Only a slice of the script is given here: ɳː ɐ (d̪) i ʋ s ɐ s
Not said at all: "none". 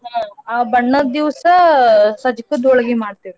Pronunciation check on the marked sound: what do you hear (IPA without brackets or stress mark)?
d̪